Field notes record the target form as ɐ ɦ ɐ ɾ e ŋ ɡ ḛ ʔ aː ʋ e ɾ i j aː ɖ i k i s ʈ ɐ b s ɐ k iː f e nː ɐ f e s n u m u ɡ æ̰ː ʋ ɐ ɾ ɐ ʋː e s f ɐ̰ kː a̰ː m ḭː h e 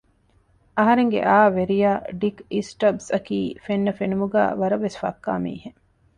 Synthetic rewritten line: ɐ ɦ ɐ ɾ e ŋ ɡ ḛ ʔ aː ʋ e ɾ i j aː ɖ i k i s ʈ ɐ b s ɐ k iː f e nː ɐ f e n u m u ɡ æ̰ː ʋ ɐ ɾ ɐ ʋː e s f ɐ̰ kː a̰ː m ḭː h e